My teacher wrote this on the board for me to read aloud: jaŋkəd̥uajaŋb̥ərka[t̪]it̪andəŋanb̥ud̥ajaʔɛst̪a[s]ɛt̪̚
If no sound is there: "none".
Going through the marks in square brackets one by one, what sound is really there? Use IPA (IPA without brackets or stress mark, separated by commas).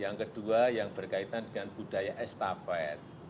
none, f